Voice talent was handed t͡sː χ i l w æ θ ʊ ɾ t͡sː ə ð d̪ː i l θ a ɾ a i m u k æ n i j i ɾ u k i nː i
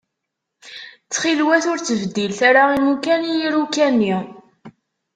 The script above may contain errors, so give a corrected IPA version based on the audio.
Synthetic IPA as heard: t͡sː χ i l w æ θ ʊ ɾ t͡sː ə v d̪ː i l θ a ɾ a i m u k æ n i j i ɾ u k æ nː i